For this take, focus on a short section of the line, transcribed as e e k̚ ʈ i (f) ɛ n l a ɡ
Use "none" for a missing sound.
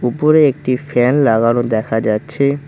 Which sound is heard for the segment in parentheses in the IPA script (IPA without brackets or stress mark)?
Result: f